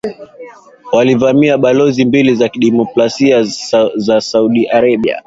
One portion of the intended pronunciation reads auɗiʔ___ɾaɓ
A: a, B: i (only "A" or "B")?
A